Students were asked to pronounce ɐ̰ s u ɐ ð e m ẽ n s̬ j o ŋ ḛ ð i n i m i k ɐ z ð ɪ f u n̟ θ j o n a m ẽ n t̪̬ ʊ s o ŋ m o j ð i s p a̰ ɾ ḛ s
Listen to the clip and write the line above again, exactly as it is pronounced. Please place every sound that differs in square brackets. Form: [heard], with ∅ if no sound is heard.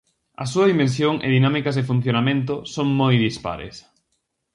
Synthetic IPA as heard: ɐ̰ s u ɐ ð [i] m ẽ n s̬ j o ŋ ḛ ð i n [a] m i k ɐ z ð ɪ f u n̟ θ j o n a m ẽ n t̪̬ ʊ s o ŋ m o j ð i s p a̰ ɾ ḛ s

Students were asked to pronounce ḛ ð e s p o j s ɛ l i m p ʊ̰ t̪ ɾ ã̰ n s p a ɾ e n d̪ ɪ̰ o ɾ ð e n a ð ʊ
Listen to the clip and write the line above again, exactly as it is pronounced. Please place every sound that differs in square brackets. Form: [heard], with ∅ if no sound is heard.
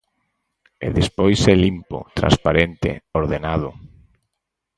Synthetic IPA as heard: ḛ ð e s p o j s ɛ l i m p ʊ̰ t̪ ɾ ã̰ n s p a ɾ e n [t̪] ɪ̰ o ɾ ð e n a ð ʊ

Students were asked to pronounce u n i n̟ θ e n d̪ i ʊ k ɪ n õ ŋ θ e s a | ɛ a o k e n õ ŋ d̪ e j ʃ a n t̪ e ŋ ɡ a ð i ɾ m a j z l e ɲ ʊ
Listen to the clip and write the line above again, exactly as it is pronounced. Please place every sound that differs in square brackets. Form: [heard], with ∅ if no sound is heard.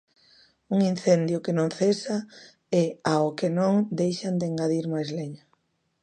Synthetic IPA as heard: u [ŋ] i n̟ θ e n d̪ [j] ʊ k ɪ n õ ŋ θ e s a | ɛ a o k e n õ ŋ d̪ e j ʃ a n [d̪] e ŋ ɡ a ð i ɾ m a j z l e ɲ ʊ

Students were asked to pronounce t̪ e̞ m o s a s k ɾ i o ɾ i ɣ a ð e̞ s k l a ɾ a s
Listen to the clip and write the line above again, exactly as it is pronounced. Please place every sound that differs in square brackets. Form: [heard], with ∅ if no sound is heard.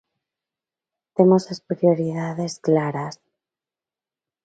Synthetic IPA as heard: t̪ e̞ m o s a s [p] ɾ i o ɾ i [ð] a ð e̞ s k l a ɾ a s

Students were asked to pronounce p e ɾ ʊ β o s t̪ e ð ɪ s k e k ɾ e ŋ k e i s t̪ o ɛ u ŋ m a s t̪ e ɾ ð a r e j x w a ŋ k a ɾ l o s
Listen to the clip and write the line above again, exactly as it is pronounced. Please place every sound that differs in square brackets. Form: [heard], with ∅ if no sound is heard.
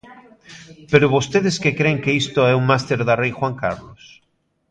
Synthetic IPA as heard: p e ɾ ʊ β o s t̪ e ð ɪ s k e k ɾ e ŋ k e i s t̪ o ɛ u ŋ m a s t̪ e ɾ ð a r e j x w a ŋ k a ɾ l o s

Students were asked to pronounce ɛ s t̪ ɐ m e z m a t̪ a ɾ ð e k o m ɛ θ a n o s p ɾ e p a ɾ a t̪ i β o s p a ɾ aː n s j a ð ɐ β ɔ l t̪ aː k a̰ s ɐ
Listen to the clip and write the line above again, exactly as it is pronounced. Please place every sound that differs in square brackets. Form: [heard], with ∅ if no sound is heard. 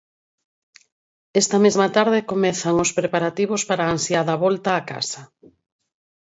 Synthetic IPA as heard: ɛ s t̪ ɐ m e z m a t̪ a ɾ ð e k o m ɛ θ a [ŋ] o s p ɾ e p a ɾ a t̪ i β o s p a ɾ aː n s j a ð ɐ β ɔ l t̪ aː k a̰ s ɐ

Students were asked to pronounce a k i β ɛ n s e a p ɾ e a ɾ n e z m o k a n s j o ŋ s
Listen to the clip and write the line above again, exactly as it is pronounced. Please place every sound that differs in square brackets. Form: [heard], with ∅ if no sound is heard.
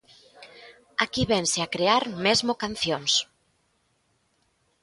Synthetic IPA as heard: a k i β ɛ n s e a [k] ɾ e a ɾ [m] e z m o k a n [θ] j o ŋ s

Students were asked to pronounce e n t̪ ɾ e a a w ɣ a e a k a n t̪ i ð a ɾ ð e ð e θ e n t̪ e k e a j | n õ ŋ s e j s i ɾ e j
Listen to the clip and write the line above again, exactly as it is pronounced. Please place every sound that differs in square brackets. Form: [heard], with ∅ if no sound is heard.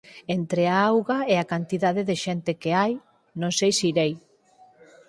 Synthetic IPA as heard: e n t̪ ɾ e a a w ɣ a e a k a n t̪ i ð a [∅] ð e ð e [ʃ] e n t̪ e k e a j | n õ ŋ s e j s i ɾ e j

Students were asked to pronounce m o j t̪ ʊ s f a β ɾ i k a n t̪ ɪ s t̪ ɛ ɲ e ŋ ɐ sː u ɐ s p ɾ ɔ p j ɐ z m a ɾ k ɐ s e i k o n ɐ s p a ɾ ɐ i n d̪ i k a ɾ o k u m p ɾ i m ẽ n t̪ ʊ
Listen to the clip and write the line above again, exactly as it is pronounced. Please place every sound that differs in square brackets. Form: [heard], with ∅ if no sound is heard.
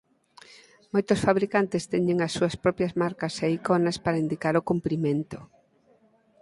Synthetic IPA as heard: m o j t̪ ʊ s f a β ɾ i k a n t̪ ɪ s t̪ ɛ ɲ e ŋ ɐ sː u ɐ s p ɾ ɔ p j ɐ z m a ɾ k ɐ s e i k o n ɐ s p a ɾ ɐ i n d̪ i k a ɾ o k u m p ɾ i m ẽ n t̪ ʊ

